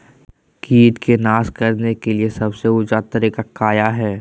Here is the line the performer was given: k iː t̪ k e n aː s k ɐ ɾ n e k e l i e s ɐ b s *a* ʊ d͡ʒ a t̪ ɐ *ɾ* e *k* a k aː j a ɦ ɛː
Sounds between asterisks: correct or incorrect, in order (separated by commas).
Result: incorrect, correct, correct